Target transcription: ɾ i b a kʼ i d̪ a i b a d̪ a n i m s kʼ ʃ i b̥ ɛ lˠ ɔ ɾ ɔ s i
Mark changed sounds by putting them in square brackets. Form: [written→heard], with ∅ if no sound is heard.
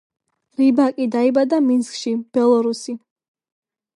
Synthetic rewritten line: ɾ i b a kʼ i d̪ a i b a d̪ a [n→m] i [m→n] s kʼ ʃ i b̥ ɛ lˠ ɔ ɾ [ɔ→u] s i